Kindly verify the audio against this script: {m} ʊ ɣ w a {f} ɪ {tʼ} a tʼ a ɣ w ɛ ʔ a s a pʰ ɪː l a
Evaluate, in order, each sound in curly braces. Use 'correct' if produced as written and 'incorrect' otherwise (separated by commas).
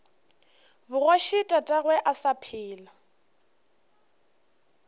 incorrect, incorrect, correct